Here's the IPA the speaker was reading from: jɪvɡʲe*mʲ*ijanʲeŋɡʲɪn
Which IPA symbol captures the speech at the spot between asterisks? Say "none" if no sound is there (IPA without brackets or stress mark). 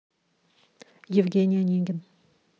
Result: nʲ